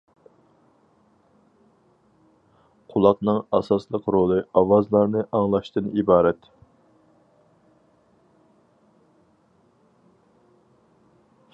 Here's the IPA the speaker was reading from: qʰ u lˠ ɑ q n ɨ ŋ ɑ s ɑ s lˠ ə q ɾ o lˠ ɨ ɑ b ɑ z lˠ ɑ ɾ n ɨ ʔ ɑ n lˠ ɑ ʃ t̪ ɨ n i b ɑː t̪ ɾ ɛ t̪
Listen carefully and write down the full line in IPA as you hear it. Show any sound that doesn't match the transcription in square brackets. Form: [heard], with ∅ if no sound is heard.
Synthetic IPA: qʰ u lˠ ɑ q n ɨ ŋ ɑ s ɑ s lˠ ə q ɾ o lˠ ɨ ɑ [w] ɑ z lˠ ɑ ɾ n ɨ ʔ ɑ [ŋ] lˠ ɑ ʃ t̪ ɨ n i b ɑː [∅] ɾ ɛ t̪

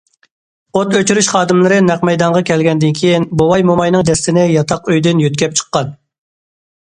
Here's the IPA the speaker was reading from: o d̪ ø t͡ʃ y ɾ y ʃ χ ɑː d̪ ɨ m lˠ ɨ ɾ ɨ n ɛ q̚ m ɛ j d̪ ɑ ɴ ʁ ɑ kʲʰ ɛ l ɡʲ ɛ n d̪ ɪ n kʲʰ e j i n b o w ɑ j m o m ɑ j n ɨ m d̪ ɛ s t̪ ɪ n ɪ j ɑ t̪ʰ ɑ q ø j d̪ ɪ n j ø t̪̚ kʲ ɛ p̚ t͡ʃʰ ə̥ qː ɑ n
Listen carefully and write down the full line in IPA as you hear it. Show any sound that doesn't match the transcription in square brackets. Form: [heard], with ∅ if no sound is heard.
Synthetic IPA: o [t̪] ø t͡ʃ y ɾ y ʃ χ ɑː d̪ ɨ m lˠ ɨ ɾ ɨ n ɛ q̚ m ɛ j d̪ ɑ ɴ ʁ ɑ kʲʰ ɛ l ɡʲ ɛ n d̪ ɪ n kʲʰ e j i n b o w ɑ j m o m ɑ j n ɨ [ŋ] d̪ ɛ s t̪ ɪ n ɪ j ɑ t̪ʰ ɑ q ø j d̪ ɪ n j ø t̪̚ kʲ ɛ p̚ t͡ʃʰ ə̥ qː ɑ n

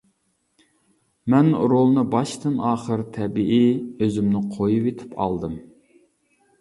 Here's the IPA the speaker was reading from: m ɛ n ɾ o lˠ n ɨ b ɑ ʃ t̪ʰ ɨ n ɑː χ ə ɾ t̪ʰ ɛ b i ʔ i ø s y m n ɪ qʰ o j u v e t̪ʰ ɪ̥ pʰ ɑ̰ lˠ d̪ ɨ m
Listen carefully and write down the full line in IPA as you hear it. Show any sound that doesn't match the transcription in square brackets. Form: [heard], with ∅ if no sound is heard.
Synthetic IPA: m ɛ n ɾ o lˠ n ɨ b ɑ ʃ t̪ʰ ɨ n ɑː χ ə ɾ t̪ʰ ɛ b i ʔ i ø [z] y m n ɪ qʰ o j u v e t̪ʰ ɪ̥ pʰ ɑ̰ lˠ d̪ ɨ m

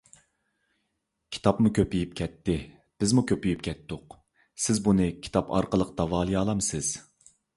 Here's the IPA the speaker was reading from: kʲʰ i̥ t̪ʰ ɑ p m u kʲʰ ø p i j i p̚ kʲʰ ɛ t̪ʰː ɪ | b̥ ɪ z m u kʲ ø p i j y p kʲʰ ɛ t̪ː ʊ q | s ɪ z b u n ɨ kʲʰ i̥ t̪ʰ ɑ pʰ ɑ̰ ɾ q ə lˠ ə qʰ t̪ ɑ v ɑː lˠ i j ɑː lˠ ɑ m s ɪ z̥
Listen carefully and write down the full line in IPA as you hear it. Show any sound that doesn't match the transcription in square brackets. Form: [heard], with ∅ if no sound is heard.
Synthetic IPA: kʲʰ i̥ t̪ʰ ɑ p m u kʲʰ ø p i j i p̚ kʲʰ ɛ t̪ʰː ɪ | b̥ ɪ z m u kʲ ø p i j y p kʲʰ ɛ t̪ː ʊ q | s ɪ z b u n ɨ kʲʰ i̥ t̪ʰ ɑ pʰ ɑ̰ ɾ q ə lˠ ə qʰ t̪ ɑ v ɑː lˠ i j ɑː lˠ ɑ m s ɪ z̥

